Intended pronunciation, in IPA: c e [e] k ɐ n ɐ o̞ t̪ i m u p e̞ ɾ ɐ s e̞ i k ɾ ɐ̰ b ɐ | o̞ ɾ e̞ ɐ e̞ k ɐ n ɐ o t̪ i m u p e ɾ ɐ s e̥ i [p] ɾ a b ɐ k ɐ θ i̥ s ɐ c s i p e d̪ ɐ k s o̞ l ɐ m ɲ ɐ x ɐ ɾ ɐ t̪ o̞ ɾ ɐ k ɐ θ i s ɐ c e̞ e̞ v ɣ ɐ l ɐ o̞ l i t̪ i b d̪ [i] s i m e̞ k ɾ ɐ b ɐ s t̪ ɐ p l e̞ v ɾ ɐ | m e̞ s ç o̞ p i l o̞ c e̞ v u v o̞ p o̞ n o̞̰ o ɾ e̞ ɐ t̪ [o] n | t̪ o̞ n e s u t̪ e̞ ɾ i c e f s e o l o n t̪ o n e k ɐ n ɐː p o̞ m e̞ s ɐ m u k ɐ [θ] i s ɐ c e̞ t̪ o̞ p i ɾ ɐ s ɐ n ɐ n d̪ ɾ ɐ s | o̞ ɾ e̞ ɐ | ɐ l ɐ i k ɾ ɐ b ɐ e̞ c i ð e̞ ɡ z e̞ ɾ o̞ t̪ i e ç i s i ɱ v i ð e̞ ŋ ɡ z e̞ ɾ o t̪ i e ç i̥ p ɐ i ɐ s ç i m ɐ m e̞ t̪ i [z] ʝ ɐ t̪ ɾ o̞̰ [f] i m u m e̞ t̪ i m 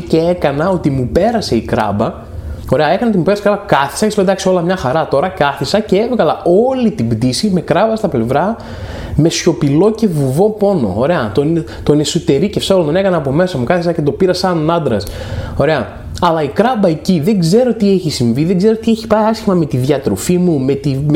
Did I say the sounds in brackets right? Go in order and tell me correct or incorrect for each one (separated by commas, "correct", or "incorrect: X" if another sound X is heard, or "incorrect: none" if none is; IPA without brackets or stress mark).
correct, incorrect: k, correct, correct, correct, incorrect: ð, correct